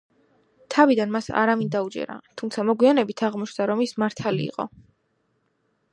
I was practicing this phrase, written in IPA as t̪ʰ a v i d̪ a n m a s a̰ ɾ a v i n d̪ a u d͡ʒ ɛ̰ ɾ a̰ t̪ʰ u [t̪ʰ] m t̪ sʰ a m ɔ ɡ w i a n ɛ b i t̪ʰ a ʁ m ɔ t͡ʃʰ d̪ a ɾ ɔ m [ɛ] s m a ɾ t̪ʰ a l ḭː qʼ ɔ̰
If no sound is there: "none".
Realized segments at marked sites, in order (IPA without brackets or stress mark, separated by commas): none, i